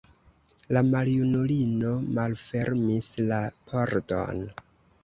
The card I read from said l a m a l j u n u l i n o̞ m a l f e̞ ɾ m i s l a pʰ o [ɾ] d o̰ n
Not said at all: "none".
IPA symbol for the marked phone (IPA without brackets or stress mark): ɾ